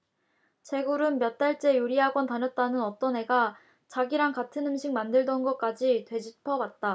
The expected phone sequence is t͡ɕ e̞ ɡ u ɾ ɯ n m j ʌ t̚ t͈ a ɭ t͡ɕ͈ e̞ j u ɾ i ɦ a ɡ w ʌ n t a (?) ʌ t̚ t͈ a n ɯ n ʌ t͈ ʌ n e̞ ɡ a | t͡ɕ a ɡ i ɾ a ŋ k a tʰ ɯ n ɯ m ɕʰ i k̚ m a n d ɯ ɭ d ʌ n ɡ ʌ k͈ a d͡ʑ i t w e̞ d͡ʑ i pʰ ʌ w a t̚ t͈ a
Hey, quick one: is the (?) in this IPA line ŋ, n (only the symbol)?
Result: n